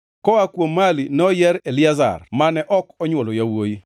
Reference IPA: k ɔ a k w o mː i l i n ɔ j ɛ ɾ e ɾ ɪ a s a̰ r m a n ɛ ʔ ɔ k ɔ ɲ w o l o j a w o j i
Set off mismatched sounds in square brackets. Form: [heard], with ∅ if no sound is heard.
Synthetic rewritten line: k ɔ a k w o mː [a] l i n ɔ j ɛ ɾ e [l] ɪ a [z] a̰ r m a n ɛ ʔ ɔ k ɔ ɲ w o l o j a w o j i

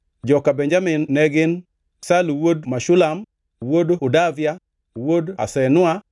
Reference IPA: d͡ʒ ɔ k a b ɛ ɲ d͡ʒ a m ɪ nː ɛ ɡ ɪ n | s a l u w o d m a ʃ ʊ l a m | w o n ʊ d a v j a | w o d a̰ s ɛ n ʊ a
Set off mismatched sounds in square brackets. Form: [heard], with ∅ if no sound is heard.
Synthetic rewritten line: d͡ʒ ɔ k a b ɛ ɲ d͡ʒ a m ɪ nː ɛ ɡ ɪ n | s a l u w o d m a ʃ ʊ l a m | w o [d] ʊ d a v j a | w o d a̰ s ɛ n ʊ a

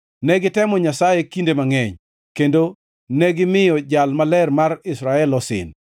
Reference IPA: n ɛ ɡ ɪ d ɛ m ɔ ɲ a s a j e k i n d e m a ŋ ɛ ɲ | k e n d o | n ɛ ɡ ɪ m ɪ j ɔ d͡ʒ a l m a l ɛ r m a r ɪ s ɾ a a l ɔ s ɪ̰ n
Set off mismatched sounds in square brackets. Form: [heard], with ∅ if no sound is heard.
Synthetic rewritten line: n ɛ ɡ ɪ [t] ɛ m ɔ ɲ a s a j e k i n d e m a ŋ ɛ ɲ | k e n d o | n ɛ ɡ ɪ m ɪ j ɔ d͡ʒ a l m a l ɛ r m a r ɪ s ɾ a [ɛ] l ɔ s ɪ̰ n

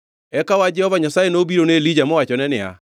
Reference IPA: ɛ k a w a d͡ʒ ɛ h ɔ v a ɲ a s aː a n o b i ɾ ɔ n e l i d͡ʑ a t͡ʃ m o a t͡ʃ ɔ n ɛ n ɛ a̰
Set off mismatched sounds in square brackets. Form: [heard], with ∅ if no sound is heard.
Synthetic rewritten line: ɛ k a w a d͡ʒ ɛ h ɔ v a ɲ a s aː [e] n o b i ɾ [o] n e l i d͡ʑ a [∅] m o a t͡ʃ ɔ n ɛ n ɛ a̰

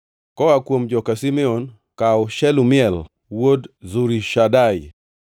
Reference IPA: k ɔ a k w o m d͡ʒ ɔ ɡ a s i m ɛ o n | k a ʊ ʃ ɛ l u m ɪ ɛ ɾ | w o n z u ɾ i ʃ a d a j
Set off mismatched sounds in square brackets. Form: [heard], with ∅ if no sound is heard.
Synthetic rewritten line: k ɔ a k w o m d͡ʒ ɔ [k] a s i m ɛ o n | k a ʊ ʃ ɛ l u m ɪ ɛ [l] | w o [d] z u ɾ i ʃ a d a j

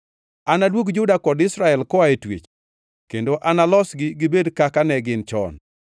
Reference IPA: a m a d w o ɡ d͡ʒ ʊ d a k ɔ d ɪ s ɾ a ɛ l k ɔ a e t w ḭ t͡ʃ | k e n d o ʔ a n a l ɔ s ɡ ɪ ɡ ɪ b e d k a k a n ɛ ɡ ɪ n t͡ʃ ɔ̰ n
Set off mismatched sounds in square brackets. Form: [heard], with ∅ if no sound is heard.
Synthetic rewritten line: a [n] a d w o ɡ d͡ʒ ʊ d a k ɔ d ɪ s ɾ a ɛ l k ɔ a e t w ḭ t͡ʃ | k e n d o ʔ a n a l ɔ s ɡ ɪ ɡ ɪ b e d k a k a n ɛ ɡ ɪ n t͡ʃ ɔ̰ n

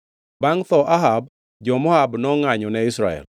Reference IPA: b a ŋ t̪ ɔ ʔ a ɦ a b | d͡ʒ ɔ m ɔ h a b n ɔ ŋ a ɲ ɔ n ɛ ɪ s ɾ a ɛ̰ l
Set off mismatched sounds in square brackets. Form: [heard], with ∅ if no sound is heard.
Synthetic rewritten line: b a ŋ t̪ ɔ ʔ a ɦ a b | d͡ʒ ɔ m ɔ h a b n ɔ ŋ a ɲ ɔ n ɛ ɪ s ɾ a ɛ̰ l

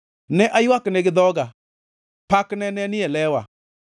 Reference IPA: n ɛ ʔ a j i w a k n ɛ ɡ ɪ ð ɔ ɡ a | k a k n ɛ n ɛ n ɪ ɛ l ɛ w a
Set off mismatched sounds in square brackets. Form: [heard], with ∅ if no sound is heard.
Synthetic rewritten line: n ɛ ʔ a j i w a k n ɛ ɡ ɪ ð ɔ ɡ a | [p] a k n ɛ n ɛ n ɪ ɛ l ɛ w a

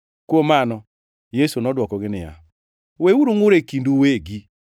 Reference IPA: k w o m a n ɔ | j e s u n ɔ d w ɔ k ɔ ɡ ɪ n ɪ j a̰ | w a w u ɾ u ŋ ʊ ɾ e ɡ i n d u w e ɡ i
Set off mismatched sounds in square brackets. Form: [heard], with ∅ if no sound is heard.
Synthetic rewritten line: k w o m a n ɔ | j e s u n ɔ d w ɔ k ɔ ɡ ɪ n ɪ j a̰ | w [e] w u ɾ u ŋ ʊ ɾ e [k] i n d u w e ɡ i

